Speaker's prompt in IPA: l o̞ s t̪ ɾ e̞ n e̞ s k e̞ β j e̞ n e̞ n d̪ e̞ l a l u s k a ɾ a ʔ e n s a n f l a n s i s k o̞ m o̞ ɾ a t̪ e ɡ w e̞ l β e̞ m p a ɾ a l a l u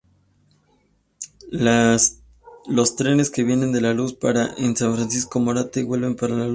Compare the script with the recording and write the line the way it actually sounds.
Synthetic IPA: l o̞ s t̪ ɾ e̞ n e̞ s k e̞ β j e̞ n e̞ n d̪ e̞ l a l u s p a ɾ a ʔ e n s a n f ɾ a n s i s k o̞ m o̞ ɾ a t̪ e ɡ w e̞ l β e̞ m p a ɾ a l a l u

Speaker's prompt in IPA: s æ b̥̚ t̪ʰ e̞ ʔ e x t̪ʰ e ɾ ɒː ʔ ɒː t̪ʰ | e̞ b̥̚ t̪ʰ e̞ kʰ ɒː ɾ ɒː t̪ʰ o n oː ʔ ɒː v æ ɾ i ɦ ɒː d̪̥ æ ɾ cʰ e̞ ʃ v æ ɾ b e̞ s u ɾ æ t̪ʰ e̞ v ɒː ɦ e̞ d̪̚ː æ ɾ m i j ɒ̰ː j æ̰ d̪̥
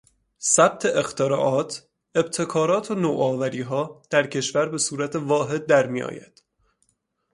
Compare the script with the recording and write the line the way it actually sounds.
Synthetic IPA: s æ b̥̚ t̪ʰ e̞ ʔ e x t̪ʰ e ɾ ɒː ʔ ɒː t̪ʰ | e̞ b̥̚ t̪ʰ e̞ kʰ ɒː ɾ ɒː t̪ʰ o n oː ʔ ɒː v æ ɾ iː ɦ ɒː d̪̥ æ ɾ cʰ e̞ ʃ v æ ɾ b e̞ s uː ɾ æ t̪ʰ e̞ v ɒː ɦ e̞ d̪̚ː æ ɾ m i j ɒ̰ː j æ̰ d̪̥

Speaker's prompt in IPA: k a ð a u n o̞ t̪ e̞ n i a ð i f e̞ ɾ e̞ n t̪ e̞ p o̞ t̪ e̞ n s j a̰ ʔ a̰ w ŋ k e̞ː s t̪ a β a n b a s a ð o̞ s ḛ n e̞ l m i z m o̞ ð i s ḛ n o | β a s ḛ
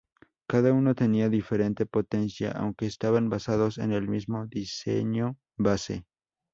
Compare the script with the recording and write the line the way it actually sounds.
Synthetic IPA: k a ð a u n o̞ t̪ e̞ n i a ð i f e̞ ɾ e̞ n t̪ e̞ p o̞ t̪ e̞ n s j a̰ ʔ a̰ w ŋ k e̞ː s t̪ a β a n b a s a ð o̞ s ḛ n e̞ l m i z m o̞ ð i s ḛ ɲ o | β a s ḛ

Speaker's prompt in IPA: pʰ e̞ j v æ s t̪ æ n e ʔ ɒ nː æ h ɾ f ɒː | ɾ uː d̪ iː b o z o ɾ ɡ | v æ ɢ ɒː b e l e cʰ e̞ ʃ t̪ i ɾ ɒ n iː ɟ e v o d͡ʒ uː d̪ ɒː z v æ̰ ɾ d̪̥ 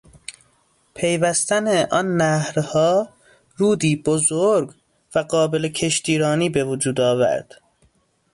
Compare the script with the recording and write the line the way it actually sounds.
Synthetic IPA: pʰ e̞ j v æ s t̪ æ n e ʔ ɒ nː æ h ɾ h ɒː | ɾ uː d̪ iː b o z o ɾ ɡ | v æ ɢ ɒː b e l e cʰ e̞ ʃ t̪ iː ɾ ɒː n iː b e v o d͡ʒ uː d̪ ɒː v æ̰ ɾ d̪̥

